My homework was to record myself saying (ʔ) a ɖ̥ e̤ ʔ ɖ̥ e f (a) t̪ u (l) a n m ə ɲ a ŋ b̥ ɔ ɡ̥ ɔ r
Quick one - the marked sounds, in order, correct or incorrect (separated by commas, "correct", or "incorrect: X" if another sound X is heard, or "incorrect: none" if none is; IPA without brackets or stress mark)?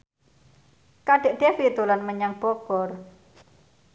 incorrect: k, incorrect: i, correct